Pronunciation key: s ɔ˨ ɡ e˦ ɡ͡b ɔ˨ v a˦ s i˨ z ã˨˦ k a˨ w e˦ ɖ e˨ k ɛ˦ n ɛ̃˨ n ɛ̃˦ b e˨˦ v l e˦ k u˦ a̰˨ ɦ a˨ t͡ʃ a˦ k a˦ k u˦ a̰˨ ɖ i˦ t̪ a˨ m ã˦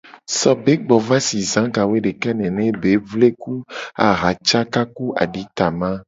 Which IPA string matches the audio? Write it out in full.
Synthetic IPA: s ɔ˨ b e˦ ɡ͡b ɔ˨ v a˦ s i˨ z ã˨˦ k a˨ w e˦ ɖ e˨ k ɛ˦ n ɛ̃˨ n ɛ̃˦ b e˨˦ v l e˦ k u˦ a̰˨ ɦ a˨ t͡ʃ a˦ k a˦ k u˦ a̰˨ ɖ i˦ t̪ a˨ m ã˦